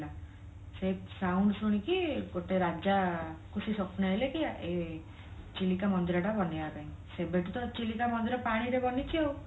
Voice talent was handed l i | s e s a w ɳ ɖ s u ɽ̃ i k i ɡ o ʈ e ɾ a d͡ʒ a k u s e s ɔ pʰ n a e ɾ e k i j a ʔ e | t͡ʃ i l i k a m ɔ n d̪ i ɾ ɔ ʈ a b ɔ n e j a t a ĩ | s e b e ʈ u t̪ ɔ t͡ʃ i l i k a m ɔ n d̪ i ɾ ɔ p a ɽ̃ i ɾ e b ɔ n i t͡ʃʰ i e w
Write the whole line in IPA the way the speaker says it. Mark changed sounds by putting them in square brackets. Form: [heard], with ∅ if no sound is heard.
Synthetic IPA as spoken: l [a] | s e s a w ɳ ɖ s u ɽ̃ i k i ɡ o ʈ e ɾ a d͡ʒ a k u s [i] s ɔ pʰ n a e [l] e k i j a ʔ e | t͡ʃ i l i k a m ɔ n d̪ i ɾ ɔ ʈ a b ɔ n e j a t a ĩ | s e b e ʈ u t̪ ɔ t͡ʃ i l i k a m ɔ n d̪ i ɾ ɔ p a ɽ̃ i ɾ e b ɔ n i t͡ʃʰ i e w